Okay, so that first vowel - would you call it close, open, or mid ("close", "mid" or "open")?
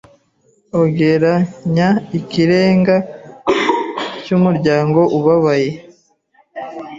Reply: mid